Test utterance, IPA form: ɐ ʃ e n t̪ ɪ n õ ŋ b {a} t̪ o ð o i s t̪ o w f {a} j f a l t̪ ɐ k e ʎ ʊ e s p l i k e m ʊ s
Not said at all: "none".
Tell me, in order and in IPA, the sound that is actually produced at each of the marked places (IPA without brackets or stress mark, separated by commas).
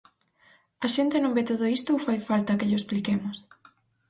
e, a